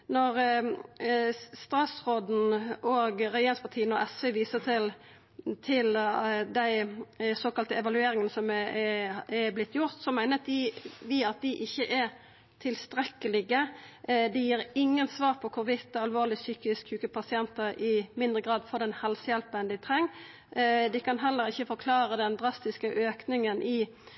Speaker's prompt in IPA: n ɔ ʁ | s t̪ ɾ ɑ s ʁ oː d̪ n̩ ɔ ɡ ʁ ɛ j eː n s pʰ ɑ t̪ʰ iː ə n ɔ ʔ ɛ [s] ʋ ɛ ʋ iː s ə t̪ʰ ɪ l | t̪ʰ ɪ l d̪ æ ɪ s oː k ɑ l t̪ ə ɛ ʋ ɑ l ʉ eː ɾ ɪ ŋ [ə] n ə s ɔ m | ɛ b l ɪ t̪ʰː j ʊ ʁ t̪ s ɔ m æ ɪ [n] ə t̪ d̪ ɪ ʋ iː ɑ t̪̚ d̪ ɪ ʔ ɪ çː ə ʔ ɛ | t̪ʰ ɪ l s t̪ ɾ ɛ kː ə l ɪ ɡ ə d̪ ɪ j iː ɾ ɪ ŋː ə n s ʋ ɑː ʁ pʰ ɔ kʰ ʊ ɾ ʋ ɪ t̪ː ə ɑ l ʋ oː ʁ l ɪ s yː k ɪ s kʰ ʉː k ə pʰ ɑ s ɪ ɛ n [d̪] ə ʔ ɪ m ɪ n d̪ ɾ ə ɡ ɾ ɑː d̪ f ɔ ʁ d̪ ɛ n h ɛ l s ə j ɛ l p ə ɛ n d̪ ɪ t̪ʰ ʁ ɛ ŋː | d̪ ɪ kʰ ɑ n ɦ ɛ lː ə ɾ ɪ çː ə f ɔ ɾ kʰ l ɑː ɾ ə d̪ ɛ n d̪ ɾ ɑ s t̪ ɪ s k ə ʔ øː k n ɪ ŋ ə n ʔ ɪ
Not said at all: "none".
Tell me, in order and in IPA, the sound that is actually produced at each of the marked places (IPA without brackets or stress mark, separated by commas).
s, ə, n, t̪